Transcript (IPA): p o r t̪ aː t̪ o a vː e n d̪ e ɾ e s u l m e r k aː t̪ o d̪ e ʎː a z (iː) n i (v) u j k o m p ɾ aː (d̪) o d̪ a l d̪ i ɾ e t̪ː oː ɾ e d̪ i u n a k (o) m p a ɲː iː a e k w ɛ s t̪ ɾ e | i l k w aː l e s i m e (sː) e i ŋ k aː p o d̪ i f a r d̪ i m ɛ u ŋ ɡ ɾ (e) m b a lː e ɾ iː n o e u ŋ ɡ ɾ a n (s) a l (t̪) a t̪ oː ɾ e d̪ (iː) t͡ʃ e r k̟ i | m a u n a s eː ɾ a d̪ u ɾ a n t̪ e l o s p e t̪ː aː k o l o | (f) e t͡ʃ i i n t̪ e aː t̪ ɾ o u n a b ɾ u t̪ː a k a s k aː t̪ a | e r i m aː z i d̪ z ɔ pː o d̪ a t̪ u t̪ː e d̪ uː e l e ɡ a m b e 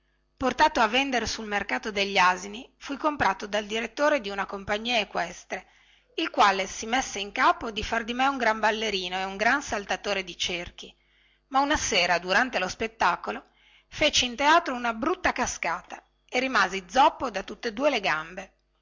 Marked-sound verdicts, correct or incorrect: incorrect: i, incorrect: f, incorrect: t̪, correct, correct, incorrect: a, correct, correct, incorrect: i, correct

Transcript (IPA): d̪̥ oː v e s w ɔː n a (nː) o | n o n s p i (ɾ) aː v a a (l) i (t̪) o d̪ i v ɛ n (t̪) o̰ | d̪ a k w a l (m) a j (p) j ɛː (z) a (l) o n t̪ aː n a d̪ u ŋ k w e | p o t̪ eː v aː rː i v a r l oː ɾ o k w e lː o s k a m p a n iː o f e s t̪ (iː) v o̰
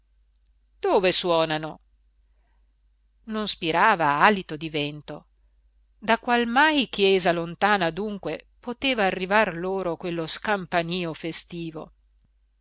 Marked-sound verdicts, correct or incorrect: incorrect: n, correct, correct, correct, correct, correct, incorrect: k, correct, correct, correct

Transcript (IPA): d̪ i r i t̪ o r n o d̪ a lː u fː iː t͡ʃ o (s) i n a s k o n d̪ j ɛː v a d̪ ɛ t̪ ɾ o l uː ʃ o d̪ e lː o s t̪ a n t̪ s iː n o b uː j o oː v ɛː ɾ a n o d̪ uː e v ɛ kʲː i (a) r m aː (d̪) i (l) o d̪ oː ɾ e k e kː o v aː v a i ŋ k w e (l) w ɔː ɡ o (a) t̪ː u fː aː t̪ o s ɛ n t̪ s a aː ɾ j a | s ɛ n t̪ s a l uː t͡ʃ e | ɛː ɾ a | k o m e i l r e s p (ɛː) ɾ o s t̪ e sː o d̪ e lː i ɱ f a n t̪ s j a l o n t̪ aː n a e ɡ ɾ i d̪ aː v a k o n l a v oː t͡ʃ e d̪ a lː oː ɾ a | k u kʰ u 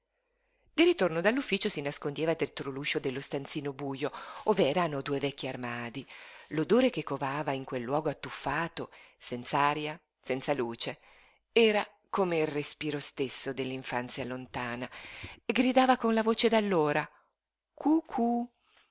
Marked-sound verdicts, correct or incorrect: correct, correct, correct, correct, incorrect: lː, correct, incorrect: iː

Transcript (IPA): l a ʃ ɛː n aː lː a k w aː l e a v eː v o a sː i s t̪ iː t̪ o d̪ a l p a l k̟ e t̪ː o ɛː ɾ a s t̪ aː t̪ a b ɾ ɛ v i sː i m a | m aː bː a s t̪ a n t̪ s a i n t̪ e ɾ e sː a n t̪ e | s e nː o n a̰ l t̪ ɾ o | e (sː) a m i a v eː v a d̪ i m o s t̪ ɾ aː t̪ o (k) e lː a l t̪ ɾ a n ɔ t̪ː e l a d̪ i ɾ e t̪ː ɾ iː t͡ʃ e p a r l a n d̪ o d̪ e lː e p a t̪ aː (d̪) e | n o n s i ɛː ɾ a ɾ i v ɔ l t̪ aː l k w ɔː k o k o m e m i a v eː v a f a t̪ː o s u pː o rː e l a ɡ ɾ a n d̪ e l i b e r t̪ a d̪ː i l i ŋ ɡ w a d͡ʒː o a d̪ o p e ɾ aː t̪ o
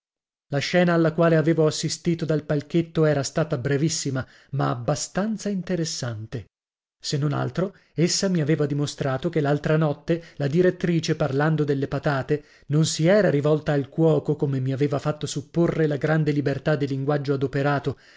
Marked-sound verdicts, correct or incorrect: correct, correct, incorrect: t̪

